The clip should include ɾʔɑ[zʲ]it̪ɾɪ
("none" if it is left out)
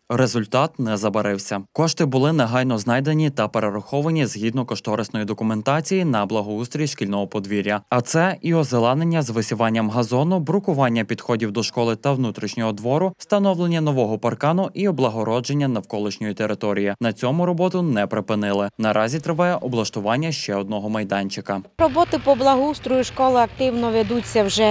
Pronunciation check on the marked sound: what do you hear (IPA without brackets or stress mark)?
zʲ